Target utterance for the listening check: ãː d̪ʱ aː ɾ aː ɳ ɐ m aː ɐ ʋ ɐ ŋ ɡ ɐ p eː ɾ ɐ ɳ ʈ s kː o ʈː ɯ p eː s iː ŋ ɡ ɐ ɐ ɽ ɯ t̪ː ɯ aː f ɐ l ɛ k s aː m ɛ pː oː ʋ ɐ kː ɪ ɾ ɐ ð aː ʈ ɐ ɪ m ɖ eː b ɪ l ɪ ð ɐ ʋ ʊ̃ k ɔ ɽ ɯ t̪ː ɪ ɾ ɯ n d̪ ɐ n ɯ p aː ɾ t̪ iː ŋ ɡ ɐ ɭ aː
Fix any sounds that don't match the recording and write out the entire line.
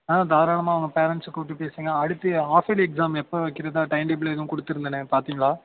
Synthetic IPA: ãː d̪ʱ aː ɾ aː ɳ ɐ m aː ɐ ʋ ɐ ŋ ɡ ɐ p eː ɾ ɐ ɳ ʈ s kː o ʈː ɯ p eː s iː ŋ ɡ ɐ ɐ ɽ ɯ t̪ː ɯ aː f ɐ l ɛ k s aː m ɛ pː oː ʋ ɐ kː ɪ ɾ ɐ ð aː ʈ ɐ ɪ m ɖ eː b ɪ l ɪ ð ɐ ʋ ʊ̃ k ɔ ɽ ɯ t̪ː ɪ ɾ ɯ n d̪ ɐ n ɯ p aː ɾ t̪ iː ŋ ɡ ɐ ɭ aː